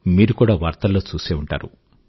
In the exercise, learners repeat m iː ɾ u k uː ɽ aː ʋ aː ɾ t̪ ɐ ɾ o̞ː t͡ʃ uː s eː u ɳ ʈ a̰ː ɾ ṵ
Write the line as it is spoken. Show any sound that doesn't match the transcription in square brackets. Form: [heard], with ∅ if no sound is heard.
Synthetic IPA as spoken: m iː ɾ u k uː ɽ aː ʋ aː ɾ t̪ ɐ [l] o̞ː t͡ʃ uː s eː u ɳ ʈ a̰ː ɾ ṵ